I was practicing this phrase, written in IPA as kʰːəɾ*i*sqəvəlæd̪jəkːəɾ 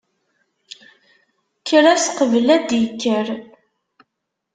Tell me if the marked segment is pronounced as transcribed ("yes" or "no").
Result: no